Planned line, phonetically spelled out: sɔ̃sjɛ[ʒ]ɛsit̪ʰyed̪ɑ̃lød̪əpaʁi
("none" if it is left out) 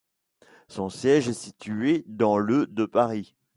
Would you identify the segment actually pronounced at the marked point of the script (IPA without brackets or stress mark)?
ʒ